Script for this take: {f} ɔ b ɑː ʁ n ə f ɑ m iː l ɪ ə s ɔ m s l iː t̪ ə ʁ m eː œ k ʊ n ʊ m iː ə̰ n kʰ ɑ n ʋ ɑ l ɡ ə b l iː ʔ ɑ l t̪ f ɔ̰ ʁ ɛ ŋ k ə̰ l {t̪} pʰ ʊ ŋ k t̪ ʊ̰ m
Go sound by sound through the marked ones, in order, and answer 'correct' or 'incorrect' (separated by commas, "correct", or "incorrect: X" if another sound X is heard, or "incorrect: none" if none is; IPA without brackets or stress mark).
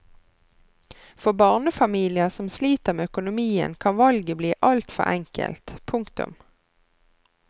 correct, correct